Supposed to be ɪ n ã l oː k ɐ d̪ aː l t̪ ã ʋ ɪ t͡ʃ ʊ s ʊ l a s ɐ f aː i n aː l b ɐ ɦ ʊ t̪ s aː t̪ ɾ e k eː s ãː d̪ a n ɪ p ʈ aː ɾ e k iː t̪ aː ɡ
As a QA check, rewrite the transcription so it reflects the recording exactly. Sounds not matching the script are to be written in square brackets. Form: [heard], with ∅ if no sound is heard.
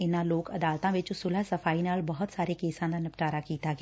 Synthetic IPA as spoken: ɪ n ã l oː k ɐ d̪ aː l t̪ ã ʋ ɪ t͡ʃ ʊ s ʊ l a s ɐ f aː i n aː l b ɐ ɦ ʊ t̪ s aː [∅] ɾ e k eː s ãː d̪ a n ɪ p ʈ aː ɾ [a] k iː t̪ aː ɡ